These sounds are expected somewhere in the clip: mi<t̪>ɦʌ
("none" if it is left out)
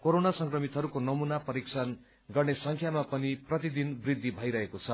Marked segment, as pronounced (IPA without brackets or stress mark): t̪